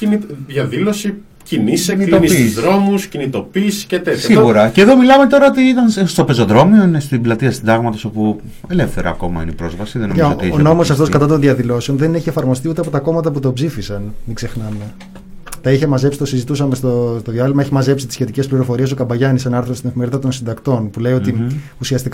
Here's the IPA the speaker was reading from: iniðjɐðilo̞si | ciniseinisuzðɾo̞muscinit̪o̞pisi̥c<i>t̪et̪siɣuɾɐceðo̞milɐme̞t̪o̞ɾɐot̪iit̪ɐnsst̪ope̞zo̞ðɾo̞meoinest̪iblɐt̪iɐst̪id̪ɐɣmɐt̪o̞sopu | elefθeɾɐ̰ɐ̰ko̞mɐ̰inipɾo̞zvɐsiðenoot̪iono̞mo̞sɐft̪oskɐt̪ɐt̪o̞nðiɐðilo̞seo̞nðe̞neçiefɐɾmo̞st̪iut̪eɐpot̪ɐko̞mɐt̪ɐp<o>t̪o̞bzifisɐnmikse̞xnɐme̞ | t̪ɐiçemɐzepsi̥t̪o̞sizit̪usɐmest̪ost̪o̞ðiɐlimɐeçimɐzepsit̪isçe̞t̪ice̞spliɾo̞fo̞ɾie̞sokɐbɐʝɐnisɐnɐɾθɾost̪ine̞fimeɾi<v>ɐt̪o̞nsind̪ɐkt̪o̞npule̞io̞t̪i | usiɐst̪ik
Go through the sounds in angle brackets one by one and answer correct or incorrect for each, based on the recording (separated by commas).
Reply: incorrect, incorrect, incorrect